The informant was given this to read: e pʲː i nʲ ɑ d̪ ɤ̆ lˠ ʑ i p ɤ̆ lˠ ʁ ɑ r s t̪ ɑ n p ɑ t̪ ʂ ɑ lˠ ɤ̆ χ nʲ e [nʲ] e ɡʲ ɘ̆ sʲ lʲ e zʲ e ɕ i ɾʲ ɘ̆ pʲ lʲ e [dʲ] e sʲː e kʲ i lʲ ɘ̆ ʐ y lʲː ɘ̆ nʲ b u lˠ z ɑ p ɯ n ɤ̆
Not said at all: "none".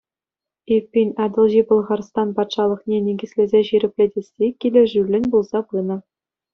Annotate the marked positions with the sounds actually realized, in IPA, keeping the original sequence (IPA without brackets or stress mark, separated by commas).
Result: nʲ, dʲ